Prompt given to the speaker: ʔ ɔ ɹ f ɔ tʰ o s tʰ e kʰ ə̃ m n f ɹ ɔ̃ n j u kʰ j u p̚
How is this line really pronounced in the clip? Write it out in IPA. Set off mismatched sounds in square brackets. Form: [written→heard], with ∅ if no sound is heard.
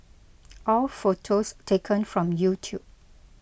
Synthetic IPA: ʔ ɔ [ɹ→l] f [ɔ→o] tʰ o s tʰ e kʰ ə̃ [m→∅] n f ɹ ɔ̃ [n→m] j u [kʰ→tʰ] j u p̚

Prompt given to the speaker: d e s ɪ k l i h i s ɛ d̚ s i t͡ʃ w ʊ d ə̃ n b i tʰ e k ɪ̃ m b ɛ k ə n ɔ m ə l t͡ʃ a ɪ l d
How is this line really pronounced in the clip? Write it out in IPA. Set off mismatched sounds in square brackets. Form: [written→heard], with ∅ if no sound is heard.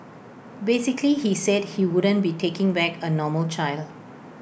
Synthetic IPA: [d→b] e s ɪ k l i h i s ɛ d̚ [s→h] i [t͡ʃ→∅] w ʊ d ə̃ n b i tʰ e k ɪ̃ [m→ŋ] b ɛ k ə n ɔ m ə l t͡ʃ a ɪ l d

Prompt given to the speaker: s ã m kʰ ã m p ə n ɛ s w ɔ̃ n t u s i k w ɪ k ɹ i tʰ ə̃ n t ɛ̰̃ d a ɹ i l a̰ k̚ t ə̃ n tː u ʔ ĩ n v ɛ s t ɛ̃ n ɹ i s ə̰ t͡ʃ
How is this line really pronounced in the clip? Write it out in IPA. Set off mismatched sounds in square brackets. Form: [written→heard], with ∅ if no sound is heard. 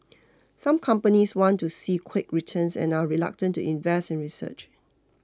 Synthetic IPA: s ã m kʰ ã m p ə n [ɛ→i] s w ɔ̃ n t u s i [k→kʰ] w ɪ k ɹ i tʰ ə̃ n [t→s] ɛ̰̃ [d→n] a ɹ i l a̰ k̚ t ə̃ n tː u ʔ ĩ n v ɛ s t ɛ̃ n ɹ i s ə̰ t͡ʃ

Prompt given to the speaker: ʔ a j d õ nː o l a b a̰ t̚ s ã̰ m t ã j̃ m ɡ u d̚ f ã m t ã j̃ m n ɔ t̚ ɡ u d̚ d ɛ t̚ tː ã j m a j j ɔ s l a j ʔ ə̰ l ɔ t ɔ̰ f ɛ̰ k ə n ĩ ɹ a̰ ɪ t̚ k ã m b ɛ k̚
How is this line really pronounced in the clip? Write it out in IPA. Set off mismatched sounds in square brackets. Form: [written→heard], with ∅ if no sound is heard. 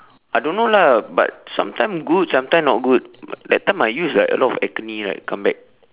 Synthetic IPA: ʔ a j d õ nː o l a b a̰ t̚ s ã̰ m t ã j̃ m ɡ u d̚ [f→s] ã m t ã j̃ m n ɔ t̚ ɡ u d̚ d ɛ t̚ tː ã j m a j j [ɔ→u] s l a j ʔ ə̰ l ɔ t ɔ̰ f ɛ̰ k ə n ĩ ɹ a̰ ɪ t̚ k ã m b ɛ k̚

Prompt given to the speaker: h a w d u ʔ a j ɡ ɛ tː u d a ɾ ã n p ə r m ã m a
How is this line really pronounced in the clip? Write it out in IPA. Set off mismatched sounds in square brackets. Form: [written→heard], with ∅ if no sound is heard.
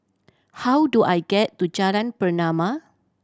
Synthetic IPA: h a w d u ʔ a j ɡ ɛ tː u [d→d͡ʒ] a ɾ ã n p ə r [m→n] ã m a

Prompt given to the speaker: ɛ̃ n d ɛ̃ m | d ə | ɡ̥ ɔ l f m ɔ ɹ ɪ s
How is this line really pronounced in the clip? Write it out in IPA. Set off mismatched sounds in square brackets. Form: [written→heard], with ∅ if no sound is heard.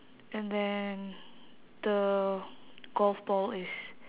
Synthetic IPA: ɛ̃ n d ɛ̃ [m→n] | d ə | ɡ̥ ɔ l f [m→b] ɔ [ɹ→l] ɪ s

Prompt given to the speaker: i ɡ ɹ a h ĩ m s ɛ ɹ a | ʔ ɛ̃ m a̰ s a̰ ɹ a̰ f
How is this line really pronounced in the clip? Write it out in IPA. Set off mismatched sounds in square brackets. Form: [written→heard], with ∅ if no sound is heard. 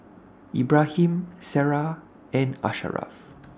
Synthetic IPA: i [ɡ→b] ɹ a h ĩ m s ɛ ɹ a | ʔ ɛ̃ [m→n] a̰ [s→ʃ] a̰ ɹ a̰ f

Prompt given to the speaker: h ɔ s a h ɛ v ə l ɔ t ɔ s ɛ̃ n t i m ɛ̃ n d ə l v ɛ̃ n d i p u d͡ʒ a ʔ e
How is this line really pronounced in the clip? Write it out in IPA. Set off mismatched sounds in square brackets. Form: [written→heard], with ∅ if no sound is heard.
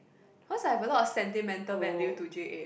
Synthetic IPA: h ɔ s a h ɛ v ə l ɔ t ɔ s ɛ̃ n t i m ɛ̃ n [d→t] ə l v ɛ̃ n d i [p→t] u d͡ʒ [a→e] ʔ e

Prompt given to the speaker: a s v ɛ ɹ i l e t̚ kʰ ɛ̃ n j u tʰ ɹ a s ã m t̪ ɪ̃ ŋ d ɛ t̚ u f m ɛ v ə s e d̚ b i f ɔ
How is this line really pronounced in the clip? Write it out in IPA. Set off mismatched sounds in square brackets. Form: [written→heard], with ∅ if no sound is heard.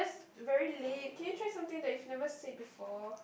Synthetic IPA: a s v ɛ ɹ i l e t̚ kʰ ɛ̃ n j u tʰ ɹ a s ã m t̪ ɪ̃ ŋ d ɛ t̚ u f [m→n] ɛ v ə s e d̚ b i f ɔ

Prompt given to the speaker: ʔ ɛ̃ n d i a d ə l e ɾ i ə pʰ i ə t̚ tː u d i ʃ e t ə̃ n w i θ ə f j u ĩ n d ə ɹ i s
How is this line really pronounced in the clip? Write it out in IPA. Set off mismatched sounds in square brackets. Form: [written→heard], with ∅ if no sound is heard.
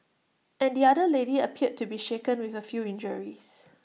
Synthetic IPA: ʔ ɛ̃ n d i a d ə l e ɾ i ə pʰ i ə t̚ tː u [d→b] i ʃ e [t→k] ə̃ n w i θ ə f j u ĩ n [d→d͡ʒ] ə ɹ i s

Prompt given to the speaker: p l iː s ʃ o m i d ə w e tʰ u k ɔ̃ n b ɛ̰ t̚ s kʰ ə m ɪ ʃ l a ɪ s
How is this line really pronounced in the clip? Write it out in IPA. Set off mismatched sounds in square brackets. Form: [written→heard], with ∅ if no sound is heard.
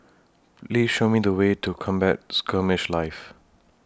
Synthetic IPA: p l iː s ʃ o m i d ə w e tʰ u [k→kʰ] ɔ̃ [n→m] b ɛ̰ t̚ s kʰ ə m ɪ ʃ l a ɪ [s→f]

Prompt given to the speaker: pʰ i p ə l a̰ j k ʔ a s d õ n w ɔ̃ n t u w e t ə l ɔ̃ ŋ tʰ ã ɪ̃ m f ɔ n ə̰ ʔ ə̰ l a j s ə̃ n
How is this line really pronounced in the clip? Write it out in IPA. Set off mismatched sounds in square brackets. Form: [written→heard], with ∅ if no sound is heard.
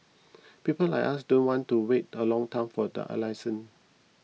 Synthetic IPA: [pʰ→p] i p ə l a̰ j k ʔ a s d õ n w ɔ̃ n t u w e t ə l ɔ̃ ŋ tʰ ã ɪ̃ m f ɔ [n→d] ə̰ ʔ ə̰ l a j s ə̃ n

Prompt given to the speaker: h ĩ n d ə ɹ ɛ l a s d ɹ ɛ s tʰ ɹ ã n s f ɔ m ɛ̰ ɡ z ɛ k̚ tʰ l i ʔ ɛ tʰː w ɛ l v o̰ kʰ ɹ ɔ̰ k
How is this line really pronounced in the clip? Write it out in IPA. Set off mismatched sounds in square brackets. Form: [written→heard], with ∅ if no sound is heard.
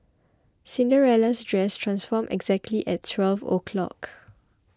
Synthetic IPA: [h→s] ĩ n d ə ɹ ɛ l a s d ɹ ɛ s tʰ ɹ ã n s f ɔ m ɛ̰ ɡ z ɛ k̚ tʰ l i ʔ ɛ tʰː w ɛ l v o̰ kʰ [ɹ→l] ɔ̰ k

